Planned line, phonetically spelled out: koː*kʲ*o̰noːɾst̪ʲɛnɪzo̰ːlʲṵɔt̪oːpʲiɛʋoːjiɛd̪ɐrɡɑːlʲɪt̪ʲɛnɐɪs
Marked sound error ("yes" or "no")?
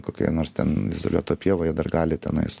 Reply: no